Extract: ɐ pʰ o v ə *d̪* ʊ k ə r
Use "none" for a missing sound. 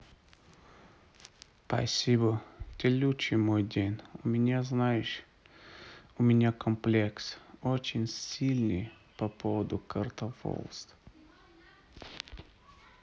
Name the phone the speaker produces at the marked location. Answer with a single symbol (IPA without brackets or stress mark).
d̪